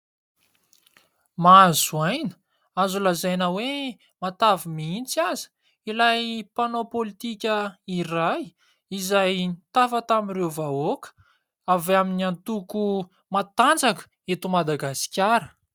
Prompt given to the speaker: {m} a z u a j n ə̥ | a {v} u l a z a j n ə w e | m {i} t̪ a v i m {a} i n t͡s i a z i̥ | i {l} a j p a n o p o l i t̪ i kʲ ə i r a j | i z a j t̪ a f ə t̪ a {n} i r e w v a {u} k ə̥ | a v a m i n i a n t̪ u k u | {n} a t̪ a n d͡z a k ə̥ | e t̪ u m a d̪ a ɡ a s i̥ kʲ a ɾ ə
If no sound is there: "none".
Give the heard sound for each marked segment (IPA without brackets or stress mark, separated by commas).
m, z, a, i, l, m, o, m